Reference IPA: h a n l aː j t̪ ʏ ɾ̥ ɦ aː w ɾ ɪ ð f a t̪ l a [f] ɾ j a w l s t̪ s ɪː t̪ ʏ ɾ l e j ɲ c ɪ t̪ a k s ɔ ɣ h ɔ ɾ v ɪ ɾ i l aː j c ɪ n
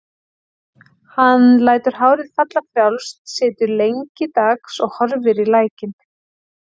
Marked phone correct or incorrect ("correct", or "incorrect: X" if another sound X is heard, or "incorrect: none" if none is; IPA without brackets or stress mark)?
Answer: correct